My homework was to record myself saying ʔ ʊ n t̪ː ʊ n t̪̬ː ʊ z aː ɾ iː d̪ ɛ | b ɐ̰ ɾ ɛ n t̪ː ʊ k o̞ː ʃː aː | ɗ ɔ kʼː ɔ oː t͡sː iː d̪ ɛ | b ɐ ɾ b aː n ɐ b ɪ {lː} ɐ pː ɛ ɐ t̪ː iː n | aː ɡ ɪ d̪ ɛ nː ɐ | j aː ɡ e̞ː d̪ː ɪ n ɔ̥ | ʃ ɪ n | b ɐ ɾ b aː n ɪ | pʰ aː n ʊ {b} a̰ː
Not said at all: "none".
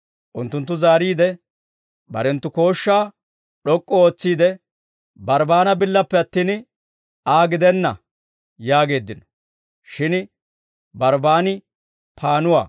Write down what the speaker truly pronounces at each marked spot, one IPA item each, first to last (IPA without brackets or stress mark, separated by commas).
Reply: lː, w